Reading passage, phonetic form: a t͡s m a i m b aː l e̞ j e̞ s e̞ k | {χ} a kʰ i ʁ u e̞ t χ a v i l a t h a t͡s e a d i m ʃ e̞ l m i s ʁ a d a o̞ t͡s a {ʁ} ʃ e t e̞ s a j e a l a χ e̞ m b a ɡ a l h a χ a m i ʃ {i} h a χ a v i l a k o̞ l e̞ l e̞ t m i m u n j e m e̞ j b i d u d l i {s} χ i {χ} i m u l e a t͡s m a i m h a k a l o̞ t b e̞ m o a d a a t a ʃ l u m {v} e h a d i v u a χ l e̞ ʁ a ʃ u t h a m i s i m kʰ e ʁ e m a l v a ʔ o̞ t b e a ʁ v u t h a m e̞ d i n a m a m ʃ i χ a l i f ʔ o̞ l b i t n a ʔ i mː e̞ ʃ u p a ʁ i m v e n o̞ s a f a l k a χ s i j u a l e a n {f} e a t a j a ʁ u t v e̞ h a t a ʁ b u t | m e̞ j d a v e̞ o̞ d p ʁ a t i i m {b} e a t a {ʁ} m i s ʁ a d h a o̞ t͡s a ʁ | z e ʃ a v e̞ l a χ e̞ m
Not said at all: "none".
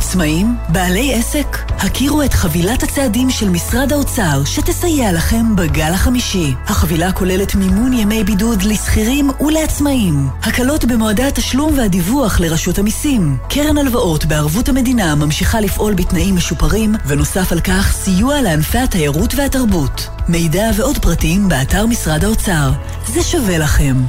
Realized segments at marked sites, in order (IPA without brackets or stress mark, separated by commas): h, ʁ, i, s, ʁ, v, f, b, ʁ